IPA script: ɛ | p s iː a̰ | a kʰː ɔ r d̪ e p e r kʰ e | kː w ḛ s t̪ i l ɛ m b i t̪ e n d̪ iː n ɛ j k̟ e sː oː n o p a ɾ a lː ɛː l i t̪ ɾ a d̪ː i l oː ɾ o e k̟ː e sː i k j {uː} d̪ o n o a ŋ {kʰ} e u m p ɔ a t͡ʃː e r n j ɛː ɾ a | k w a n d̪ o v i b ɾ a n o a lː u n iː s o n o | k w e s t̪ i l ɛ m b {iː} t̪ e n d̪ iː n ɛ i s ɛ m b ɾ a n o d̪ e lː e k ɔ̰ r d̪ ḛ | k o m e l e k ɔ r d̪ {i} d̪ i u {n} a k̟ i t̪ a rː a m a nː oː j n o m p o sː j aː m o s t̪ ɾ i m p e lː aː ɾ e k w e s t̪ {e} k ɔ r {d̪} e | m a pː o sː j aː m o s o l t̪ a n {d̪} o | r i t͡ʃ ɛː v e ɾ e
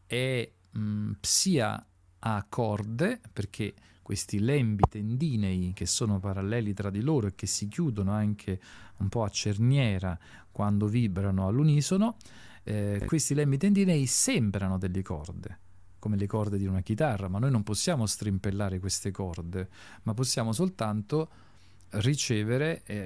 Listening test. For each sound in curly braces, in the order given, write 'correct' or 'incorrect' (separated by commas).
correct, correct, incorrect, incorrect, correct, correct, correct, incorrect